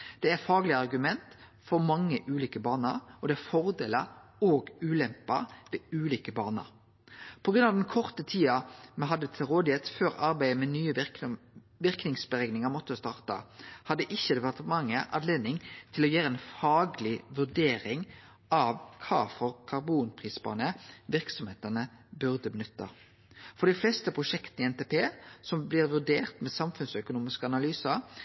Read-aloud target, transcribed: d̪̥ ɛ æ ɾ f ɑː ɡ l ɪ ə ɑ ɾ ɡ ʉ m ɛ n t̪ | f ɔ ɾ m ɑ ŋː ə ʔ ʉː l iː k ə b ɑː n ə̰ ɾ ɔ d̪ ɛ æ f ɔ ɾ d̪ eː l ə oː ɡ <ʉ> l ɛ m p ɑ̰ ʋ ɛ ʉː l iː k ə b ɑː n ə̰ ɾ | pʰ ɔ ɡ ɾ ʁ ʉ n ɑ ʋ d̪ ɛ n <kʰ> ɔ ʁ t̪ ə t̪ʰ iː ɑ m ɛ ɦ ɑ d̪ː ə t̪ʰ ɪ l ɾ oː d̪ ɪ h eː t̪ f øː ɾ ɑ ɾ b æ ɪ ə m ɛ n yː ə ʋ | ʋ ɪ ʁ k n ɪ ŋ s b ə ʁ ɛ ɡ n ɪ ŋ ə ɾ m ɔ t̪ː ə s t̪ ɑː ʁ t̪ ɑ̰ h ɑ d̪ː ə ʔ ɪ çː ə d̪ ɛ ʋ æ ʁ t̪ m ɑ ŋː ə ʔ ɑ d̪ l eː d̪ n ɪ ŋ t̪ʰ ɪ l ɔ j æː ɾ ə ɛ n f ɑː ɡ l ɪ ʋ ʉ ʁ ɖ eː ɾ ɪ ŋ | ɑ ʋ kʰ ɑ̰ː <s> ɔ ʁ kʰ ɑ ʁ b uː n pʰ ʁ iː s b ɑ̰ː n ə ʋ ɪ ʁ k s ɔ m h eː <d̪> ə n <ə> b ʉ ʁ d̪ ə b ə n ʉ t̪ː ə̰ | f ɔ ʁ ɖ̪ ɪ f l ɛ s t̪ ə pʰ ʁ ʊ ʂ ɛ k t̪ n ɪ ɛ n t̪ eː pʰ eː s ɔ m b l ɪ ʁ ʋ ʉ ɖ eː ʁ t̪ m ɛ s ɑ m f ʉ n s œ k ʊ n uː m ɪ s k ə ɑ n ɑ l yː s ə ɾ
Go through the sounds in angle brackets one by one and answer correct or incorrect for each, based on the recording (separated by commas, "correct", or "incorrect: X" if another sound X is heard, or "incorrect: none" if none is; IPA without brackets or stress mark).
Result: incorrect: ʉː, correct, incorrect: f, incorrect: t̪, correct